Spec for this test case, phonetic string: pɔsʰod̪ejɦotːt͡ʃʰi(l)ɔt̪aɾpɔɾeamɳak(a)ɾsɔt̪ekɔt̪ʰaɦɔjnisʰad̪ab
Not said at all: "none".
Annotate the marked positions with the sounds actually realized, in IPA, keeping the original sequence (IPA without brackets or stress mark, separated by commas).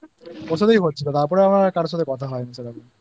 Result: l, a